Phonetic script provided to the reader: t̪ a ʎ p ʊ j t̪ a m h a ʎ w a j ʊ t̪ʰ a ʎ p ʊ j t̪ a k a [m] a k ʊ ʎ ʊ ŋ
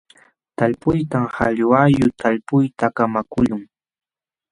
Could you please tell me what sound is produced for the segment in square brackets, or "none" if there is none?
m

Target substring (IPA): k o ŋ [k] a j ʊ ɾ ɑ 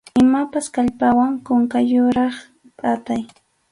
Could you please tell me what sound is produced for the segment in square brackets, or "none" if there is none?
k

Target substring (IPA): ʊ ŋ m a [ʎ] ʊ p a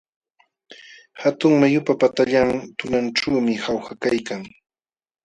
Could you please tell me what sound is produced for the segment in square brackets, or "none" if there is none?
j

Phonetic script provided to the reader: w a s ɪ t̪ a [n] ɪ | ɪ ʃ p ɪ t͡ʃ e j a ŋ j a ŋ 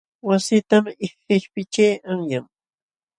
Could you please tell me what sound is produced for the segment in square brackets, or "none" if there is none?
m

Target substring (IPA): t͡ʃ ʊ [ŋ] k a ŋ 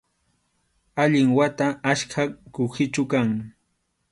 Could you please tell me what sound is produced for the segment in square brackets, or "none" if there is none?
none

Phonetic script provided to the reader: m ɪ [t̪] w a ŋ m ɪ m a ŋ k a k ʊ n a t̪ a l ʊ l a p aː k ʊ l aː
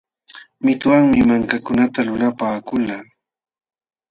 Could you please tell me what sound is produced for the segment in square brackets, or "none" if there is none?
t̪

